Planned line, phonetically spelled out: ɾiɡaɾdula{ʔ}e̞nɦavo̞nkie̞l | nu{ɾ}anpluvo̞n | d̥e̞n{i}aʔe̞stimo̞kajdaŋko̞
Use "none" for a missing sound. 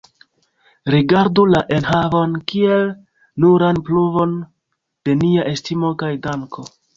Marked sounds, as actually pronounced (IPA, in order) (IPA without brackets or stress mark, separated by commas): ʔ, ɾ, i